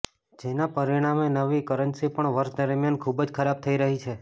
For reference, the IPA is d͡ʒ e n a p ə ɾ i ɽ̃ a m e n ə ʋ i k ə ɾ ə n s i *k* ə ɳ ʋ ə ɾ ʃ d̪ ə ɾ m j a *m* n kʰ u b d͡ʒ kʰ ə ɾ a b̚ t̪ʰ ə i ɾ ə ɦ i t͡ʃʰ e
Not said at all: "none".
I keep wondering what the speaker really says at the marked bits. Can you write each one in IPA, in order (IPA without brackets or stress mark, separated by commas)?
p, none